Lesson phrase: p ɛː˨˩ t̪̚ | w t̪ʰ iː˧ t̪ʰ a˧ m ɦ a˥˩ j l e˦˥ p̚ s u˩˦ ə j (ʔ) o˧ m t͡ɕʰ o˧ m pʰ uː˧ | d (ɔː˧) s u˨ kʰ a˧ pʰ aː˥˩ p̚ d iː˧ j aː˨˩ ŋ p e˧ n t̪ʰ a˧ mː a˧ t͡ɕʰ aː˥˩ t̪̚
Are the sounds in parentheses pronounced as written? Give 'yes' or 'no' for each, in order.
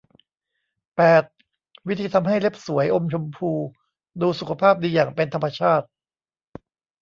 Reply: yes, no

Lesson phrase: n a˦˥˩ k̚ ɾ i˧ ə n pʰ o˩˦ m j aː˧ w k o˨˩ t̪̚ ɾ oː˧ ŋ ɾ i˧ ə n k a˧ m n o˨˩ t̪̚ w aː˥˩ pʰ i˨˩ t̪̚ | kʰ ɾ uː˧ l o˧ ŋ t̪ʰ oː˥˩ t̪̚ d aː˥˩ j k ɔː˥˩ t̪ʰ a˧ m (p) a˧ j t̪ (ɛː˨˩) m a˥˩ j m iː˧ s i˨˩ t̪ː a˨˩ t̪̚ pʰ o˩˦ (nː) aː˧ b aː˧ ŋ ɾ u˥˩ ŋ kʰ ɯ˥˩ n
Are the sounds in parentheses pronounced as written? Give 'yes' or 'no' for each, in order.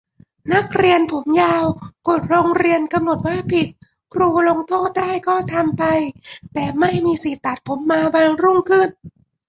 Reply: yes, yes, no

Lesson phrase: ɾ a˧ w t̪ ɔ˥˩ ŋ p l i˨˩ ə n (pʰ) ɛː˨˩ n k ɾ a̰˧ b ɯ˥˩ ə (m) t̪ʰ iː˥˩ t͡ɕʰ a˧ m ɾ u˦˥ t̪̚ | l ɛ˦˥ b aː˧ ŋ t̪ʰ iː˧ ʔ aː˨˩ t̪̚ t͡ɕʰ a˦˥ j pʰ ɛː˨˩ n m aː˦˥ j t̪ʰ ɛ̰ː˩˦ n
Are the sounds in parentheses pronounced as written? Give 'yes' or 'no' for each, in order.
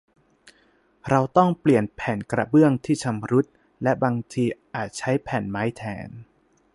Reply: yes, no

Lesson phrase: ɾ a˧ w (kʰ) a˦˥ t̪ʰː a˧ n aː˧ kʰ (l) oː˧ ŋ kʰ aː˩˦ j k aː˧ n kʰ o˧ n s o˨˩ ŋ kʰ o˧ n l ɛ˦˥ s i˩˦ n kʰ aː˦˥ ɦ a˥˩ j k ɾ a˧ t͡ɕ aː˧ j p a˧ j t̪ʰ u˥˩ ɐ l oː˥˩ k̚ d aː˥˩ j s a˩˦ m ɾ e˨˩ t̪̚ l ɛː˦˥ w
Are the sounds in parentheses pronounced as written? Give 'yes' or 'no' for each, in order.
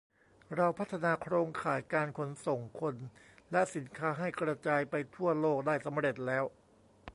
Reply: no, no

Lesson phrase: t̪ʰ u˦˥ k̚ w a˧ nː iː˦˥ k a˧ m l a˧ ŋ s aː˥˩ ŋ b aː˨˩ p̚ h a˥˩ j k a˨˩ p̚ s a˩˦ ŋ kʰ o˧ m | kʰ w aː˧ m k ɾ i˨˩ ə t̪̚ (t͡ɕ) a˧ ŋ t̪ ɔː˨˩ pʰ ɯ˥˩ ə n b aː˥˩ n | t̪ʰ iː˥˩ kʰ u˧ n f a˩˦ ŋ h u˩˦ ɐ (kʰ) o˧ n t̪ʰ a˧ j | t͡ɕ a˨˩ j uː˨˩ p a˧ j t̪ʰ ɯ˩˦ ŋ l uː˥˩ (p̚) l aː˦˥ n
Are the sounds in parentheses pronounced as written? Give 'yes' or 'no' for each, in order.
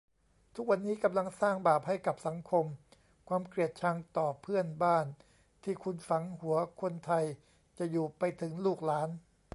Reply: no, yes, no

